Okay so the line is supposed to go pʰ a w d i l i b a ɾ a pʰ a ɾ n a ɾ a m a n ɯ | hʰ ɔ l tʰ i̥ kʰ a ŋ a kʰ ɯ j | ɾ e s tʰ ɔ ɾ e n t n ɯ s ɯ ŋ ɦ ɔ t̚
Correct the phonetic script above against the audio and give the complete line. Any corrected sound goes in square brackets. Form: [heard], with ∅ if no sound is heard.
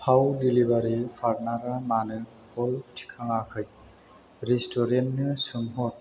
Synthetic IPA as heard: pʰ a w d i l i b a ɾ [i] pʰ a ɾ n a ɾ a m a n ɯ | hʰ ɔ l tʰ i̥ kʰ a ŋ a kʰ ɯ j | ɾ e s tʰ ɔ ɾ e n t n ɯ s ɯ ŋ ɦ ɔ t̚